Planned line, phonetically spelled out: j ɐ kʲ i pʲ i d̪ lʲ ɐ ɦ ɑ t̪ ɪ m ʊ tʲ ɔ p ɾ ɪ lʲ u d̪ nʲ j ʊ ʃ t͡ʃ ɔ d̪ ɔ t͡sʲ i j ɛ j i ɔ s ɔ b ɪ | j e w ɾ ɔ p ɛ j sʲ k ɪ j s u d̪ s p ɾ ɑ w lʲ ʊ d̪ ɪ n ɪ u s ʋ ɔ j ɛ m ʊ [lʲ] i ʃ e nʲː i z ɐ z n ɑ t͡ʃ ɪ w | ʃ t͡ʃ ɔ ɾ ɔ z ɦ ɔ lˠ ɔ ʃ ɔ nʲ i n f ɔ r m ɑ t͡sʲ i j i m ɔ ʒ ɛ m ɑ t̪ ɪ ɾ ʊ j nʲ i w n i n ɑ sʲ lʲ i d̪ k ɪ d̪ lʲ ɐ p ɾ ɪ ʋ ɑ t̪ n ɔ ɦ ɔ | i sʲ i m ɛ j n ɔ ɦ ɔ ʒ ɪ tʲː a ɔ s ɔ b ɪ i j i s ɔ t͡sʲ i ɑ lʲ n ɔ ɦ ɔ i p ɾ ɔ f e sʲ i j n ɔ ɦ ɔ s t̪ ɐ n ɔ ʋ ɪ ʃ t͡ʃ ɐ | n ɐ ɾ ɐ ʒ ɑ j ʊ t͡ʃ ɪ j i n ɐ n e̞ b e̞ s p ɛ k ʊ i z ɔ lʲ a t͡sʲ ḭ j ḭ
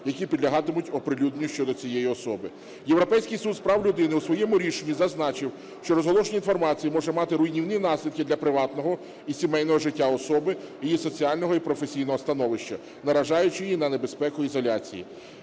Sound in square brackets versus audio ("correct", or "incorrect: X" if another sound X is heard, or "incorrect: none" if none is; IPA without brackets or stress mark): incorrect: ɾʲ